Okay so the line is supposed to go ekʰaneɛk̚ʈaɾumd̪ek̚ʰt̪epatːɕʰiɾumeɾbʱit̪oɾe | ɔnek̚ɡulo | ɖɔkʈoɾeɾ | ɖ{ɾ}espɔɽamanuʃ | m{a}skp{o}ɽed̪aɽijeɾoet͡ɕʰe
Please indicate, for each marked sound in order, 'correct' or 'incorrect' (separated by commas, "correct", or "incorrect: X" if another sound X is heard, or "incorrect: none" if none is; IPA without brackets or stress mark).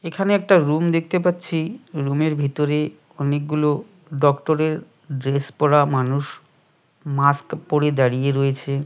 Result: correct, correct, correct